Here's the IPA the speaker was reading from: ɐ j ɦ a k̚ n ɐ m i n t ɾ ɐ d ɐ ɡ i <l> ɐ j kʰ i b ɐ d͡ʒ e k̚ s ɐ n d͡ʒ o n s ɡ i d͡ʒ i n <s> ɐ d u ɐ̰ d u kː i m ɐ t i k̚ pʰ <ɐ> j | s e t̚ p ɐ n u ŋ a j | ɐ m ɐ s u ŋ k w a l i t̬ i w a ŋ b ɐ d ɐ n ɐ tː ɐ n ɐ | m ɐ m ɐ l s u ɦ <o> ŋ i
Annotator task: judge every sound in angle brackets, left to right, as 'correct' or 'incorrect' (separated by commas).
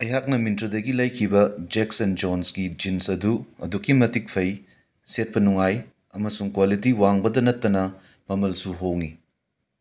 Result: correct, correct, correct, correct